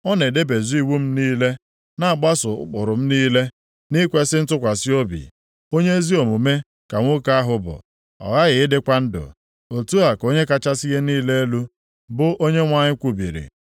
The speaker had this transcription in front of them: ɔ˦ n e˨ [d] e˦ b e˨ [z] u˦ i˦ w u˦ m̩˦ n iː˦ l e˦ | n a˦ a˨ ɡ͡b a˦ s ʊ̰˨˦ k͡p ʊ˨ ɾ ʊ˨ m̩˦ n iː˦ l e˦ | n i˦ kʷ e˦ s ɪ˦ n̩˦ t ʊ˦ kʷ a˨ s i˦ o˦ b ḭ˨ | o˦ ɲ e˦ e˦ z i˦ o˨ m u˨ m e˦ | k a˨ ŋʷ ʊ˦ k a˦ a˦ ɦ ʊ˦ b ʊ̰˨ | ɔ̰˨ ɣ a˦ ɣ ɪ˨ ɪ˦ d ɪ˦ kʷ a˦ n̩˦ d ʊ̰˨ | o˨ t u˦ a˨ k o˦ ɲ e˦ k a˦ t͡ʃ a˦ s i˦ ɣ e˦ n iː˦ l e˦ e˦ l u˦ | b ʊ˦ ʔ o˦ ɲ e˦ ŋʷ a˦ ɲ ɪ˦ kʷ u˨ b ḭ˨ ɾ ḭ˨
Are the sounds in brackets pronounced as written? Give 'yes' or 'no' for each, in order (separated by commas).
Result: yes, yes